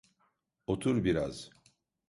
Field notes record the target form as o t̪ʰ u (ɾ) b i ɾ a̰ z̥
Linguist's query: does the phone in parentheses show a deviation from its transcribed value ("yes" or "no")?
no